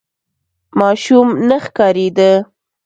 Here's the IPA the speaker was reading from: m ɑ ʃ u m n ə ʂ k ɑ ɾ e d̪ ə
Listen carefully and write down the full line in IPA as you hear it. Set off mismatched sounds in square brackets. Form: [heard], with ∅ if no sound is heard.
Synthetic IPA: m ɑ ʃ u m n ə [x] k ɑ ɾ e d̪ ə